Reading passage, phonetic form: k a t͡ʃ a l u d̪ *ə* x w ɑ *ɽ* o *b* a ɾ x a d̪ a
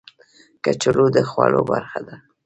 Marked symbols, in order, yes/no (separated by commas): yes, no, yes